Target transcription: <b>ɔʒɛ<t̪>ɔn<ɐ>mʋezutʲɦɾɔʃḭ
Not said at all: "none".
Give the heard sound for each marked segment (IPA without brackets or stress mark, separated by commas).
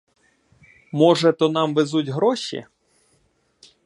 m, t̪, ɑ